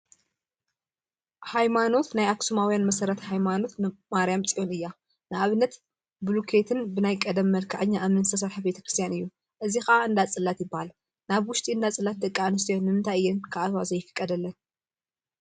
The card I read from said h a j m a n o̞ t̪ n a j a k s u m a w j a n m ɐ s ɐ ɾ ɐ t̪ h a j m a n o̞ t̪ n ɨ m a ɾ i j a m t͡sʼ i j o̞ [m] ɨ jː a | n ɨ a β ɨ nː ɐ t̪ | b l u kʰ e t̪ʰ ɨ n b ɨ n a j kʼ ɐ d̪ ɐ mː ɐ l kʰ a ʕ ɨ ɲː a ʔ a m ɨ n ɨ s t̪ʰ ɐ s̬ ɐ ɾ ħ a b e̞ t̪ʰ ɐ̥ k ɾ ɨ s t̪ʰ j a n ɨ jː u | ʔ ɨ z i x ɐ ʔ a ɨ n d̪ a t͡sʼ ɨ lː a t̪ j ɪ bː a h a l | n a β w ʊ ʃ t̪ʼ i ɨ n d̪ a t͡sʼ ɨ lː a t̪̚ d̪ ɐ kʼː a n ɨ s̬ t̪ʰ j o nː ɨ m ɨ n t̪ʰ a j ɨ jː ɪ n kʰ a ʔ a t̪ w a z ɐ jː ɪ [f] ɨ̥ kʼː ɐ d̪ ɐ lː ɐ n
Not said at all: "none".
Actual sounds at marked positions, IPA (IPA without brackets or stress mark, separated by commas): n, f